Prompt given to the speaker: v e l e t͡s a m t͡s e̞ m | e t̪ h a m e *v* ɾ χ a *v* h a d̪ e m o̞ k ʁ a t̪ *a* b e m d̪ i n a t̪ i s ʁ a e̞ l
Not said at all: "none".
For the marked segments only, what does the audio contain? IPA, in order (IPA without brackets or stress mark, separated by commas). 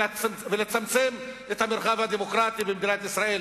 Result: none, v, i